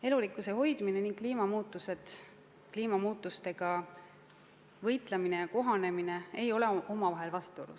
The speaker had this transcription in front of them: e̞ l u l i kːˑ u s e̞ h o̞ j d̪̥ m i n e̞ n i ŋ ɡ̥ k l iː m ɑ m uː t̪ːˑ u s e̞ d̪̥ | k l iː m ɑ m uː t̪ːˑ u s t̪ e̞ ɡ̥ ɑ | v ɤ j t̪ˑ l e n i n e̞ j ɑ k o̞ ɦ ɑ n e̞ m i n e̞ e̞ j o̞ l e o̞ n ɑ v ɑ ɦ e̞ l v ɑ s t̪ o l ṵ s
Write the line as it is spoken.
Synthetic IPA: e̞ l u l i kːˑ u s e̞ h o̞ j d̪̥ m i n e̞ n i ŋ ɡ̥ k l iː m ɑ m uː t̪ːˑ u s e̞ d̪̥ | k l iː m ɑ m uː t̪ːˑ u s t̪ e̞ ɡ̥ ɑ | v ɤ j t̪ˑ l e m i n e̞ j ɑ k o̞ ɦ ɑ n e̞ m i n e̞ e̞ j o̞ l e o̞ m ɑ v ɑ ɦ e̞ l v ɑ s t̪ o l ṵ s